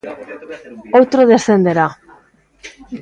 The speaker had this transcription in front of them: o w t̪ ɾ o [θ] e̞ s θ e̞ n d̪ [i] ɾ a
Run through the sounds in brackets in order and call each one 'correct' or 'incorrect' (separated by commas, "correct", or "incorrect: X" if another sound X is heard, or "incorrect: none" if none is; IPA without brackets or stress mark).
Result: incorrect: ð, incorrect: e